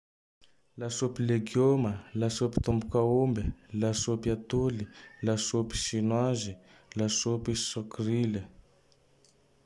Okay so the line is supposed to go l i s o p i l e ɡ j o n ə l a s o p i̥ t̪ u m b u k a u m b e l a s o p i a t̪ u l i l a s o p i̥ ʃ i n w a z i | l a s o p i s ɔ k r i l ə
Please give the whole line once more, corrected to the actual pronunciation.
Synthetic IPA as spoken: l a s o p i l e ɡ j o m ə l a s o p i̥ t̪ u m b u k a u m b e l a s o p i a t̪ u l i l a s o p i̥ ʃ i n w a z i | l a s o p i s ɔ k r i l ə